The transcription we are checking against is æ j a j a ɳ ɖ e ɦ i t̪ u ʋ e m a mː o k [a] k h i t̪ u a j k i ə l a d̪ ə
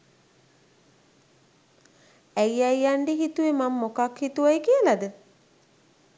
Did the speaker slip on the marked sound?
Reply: no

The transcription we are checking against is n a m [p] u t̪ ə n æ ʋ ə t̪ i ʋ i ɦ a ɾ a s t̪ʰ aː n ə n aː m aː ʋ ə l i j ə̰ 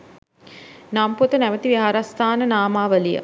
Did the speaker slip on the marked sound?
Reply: no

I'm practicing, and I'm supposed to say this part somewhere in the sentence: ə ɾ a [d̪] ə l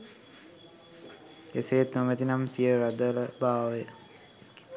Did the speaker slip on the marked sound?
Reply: no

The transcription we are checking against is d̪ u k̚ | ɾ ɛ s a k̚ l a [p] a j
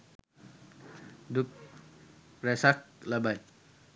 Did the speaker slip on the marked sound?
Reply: yes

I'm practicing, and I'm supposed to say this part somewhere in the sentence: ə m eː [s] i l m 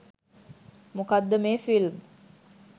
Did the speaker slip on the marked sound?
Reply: yes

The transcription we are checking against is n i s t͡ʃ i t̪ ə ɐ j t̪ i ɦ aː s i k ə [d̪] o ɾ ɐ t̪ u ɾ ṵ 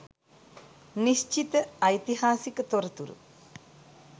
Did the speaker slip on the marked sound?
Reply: yes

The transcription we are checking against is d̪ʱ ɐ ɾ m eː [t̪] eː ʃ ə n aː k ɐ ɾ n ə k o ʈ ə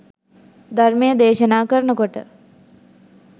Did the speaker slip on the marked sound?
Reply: yes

